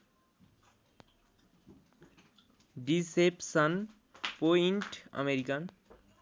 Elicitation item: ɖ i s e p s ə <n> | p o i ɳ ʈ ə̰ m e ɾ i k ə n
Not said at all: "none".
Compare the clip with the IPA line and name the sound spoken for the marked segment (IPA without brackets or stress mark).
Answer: n